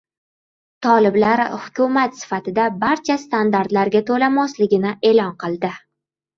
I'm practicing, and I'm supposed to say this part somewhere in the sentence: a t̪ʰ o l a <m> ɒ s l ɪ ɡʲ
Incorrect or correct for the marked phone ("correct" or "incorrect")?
correct